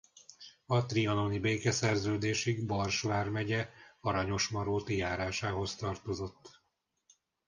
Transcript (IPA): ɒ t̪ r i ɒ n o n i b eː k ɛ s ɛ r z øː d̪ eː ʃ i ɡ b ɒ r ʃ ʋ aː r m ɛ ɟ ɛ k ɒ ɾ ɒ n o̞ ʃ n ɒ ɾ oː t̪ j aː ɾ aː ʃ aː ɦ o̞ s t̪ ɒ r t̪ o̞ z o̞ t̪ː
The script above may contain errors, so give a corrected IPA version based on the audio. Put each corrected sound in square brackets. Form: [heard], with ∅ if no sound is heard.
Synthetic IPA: ɒ t̪ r i ɒ n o n i b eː k ɛ s ɛ r z øː d̪ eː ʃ i ɡ b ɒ r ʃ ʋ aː r m ɛ ɟ ɛ [∅] ɒ ɾ ɒ [ɲ] o̞ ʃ [m] ɒ ɾ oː t̪ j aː ɾ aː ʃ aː ɦ o̞ s t̪ ɒ r t̪ o̞ z o̞ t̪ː

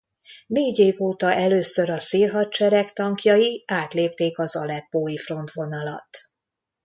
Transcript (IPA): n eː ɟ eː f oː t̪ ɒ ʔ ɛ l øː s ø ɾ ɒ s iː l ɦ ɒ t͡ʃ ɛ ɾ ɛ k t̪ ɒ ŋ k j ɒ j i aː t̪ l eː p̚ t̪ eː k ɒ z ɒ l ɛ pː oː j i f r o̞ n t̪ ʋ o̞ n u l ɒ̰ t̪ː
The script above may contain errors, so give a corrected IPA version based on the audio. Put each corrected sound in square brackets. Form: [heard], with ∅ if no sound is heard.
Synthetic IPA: n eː ɟ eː [v] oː t̪ ɒ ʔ ɛ l øː s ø ɾ ɒ s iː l ɦ ɒ t͡ʃ ɛ ɾ ɛ k t̪ ɒ ŋ k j ɒ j i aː t̪ l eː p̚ t̪ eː k ɒ z ɒ l ɛ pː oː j i f r o̞ n t̪ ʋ o̞ n [ɒ] l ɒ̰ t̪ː

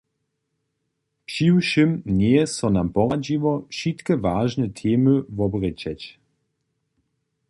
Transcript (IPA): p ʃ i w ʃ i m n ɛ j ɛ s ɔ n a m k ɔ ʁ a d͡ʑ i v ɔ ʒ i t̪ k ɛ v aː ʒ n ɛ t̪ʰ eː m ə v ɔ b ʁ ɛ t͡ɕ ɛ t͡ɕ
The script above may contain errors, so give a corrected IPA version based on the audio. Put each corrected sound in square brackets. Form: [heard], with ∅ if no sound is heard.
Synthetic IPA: p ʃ i w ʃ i m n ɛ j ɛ s ɔ n a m [p] ɔ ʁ a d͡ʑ i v ɔ [ʃ] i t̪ k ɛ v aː ʒ n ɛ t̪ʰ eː m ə v ɔ b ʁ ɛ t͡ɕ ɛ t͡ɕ

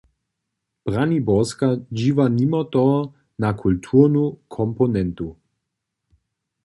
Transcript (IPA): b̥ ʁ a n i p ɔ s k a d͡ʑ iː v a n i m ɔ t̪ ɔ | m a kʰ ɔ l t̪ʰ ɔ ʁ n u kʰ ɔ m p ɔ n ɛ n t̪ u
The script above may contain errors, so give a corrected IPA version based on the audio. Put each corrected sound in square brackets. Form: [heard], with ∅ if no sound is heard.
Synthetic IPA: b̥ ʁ a n i [b] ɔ s k a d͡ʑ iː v a n i m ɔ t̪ ɔ | [n] a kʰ [u] l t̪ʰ [u] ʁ n u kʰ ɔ m p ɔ n ɛ n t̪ u

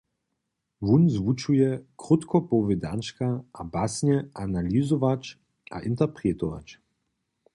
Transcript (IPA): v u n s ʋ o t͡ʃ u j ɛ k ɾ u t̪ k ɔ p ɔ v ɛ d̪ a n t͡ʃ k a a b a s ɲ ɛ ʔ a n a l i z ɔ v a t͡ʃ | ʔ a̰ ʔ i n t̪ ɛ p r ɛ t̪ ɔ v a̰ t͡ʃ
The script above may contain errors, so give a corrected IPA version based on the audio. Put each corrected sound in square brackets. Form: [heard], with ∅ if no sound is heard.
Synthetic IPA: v u n [z] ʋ [u] t͡ʃ u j ɛ k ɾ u t̪ k ɔ p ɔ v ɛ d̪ a n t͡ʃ k a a b a s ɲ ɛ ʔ a n a l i z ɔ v a t͡ʃ | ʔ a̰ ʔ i n t̪ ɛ p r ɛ t̪ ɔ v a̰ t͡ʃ

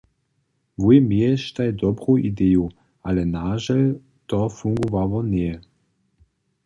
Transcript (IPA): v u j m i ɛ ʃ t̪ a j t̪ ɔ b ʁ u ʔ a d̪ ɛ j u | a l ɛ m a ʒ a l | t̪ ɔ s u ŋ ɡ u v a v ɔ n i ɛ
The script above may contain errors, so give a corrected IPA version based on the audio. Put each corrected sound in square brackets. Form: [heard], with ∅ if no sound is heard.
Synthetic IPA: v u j m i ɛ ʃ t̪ a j [d̪] ɔ b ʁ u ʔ [i] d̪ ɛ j u | a l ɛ [n] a ʒ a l | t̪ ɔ [f] u ŋ ɡ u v a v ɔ n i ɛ

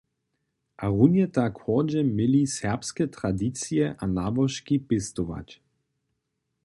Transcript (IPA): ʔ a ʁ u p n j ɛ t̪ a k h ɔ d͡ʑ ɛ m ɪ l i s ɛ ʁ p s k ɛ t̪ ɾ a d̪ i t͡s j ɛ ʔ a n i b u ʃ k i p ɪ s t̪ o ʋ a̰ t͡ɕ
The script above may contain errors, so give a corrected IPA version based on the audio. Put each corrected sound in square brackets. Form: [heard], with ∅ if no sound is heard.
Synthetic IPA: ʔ a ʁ u [∅] n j ɛ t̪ a k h ɔ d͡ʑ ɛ m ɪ l i s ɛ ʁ p s k ɛ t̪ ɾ a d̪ i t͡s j ɛ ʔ a n [a] b [ɔ] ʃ k i p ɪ s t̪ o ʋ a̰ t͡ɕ

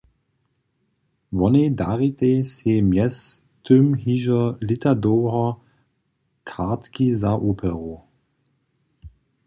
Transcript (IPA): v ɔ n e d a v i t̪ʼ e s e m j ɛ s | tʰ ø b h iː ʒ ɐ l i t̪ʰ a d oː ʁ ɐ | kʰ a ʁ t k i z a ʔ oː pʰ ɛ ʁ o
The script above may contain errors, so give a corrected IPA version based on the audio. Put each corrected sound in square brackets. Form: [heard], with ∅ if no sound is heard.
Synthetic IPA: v ɔ n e d a [ʁ] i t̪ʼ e s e m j ɛ s | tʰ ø [m] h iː ʒ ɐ l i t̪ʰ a d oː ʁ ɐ | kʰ a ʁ t k i z a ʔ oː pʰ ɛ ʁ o

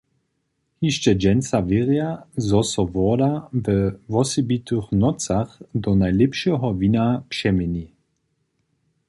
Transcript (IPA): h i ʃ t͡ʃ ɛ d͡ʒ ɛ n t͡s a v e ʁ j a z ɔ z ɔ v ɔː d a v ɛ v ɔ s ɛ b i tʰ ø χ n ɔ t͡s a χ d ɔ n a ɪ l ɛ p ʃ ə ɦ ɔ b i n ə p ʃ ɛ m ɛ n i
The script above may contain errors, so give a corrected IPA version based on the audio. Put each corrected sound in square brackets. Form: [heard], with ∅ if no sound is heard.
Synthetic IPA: h i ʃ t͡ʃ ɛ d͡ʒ ɛ n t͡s a v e ʁ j a z ɔ [s] ɔ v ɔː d a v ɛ v ɔ s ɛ b i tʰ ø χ n ɔ t͡s a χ d ɔ n a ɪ l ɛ p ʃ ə ɦ ɔ [v] i n [a] p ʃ ɛ m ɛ n i

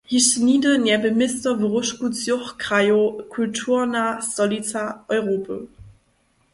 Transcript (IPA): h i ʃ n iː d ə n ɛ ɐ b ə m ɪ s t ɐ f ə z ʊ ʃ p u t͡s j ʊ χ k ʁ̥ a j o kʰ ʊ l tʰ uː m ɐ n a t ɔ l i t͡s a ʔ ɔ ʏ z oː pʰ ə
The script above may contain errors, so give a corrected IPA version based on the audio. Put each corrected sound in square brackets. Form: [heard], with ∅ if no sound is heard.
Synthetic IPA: h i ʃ n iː d ə n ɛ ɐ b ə m ɪ s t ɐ [v] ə [ʁ] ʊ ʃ [k] u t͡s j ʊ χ k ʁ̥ a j o kʰ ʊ l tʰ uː [∅] ɐ n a [s] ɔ l i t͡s a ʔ ɔ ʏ [ʁ] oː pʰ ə

